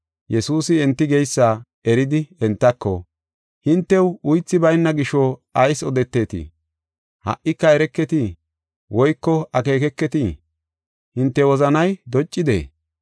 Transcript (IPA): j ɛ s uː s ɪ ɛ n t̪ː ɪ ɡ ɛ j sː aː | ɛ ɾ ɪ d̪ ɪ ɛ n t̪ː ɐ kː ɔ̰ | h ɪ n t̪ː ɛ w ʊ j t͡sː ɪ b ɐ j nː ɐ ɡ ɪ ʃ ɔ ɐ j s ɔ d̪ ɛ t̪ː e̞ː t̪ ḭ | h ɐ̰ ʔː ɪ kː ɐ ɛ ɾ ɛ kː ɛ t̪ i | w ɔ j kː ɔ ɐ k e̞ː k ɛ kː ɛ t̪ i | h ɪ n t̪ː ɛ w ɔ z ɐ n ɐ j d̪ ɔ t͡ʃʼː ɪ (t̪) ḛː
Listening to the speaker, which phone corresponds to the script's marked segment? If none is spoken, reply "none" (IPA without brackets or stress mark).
d̪